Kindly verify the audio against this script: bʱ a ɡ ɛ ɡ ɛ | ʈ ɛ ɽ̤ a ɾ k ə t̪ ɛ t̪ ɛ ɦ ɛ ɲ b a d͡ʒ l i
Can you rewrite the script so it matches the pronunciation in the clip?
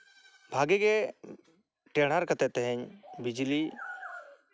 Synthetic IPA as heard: bʱ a ɡ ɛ ɡ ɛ | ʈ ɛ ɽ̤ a ɾ k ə t̪ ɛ t̪ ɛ ɦ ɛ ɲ b i d͡ʒ l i